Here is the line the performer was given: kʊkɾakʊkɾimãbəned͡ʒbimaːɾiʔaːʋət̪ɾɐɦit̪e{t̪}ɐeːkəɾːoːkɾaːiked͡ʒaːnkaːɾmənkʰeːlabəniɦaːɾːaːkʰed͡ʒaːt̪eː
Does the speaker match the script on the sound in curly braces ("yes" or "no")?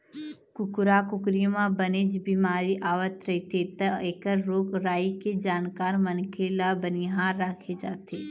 yes